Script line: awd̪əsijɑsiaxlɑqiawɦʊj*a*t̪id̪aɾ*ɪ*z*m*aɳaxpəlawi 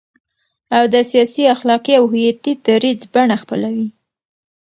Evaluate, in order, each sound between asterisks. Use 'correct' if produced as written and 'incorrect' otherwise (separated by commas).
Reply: correct, incorrect, incorrect